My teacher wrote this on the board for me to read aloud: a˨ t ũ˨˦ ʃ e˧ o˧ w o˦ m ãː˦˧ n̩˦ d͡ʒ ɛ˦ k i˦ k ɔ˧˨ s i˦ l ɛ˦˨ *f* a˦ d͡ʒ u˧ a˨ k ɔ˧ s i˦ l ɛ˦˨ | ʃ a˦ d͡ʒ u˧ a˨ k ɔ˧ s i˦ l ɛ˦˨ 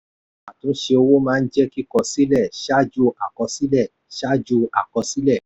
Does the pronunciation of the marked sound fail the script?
yes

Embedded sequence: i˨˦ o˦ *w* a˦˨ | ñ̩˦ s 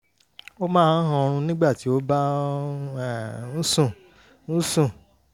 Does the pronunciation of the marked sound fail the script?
yes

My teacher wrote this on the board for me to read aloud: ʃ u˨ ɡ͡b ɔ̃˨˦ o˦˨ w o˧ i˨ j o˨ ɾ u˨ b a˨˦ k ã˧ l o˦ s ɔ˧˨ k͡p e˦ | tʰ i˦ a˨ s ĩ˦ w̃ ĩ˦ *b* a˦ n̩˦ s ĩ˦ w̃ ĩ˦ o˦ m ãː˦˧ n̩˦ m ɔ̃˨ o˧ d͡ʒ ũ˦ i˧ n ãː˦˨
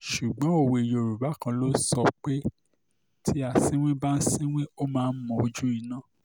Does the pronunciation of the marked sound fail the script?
no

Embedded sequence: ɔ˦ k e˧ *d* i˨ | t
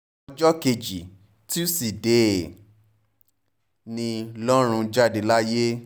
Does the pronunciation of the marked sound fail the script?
yes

